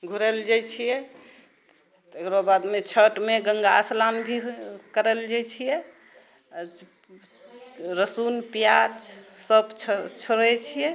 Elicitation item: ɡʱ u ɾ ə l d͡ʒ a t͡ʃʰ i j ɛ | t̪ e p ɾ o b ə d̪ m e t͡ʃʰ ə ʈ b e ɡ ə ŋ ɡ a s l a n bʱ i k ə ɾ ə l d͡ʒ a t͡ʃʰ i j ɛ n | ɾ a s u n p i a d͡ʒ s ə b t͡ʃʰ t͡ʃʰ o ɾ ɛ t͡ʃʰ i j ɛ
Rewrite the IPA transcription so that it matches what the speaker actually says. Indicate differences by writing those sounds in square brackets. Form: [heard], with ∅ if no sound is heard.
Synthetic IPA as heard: ɡʱ u ɾ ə l d͡ʒ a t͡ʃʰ i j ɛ | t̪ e [k] ɾ o b [a] d̪ m e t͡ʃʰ ə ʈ [m] e ɡ ə ŋ ɡ a s l a n bʱ i k ə ɾ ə l d͡ʒ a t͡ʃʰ i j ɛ [∅] | ɾ [ə] s u n p [j] a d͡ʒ s ə b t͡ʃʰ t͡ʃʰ o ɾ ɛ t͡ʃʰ i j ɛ

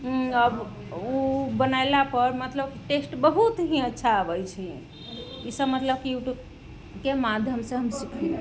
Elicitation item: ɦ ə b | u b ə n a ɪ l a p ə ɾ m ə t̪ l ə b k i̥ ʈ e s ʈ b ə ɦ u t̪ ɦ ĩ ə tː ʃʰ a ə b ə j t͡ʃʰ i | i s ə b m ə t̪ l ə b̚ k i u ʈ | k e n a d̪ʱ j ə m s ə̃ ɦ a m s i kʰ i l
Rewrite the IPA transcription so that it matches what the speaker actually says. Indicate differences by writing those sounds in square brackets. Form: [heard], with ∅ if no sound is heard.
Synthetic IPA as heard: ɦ ə b | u b ə n a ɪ l a p ə ɾ m ə t̪ l ə b k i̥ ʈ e s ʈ b ə ɦ u t̪ ɦ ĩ ə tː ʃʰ a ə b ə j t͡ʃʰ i | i s ə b m ə t̪ l ə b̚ k i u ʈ | k e [m] a d̪ʱ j ə m s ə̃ ɦ [ə] m s i kʰ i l

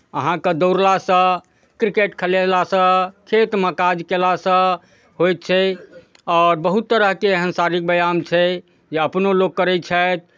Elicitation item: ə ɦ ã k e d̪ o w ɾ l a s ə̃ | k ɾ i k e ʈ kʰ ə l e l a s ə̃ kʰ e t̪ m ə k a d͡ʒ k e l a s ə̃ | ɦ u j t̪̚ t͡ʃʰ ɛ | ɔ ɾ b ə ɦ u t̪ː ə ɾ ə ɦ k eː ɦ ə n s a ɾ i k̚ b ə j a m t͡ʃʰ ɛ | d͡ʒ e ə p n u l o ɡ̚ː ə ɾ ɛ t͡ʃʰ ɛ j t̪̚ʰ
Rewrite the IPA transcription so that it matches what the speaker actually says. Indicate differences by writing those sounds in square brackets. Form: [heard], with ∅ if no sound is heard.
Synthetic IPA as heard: ə ɦ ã k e d̪ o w ɾ l a s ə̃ | k ɾ i k e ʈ kʰ ə l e l a s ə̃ kʰ e t̪ m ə k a d͡ʒ k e l a s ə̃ | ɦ [o] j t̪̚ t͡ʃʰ ɛ | ɔ ɾ b ə ɦ u t̪ː ə ɾ ə ɦ k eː ɦ ə n s a ɾ i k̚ b ə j a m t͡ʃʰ ɛ | d͡ʒ e ə p n [o] l o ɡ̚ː ə ɾ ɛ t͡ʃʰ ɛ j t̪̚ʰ

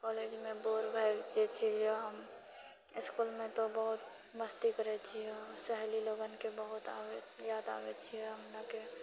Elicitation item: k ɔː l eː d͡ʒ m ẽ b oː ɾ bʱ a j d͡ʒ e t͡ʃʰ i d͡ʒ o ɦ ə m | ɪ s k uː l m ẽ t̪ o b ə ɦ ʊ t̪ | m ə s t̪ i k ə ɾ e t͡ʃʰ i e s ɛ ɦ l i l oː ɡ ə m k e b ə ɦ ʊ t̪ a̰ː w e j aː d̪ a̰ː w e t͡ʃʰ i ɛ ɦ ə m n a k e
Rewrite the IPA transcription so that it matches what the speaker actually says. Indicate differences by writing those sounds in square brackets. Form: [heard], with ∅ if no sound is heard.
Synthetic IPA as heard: k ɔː l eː d͡ʒ m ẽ b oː ɾ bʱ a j d͡ʒ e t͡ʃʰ i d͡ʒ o ɦ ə m | ɪ s k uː l m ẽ t̪ o b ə ɦ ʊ t̪ | m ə s t̪ i k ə ɾ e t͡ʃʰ i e s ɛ ɦ l i l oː ɡ ə [n] k e b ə ɦ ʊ t̪ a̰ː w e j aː d̪ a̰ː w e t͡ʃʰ i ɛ ɦ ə m n a k e

